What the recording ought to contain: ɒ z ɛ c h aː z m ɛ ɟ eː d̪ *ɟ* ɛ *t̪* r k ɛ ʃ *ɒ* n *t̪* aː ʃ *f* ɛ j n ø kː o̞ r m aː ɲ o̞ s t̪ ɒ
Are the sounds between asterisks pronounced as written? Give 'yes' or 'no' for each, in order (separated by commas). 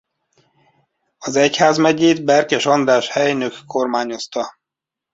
no, no, yes, no, no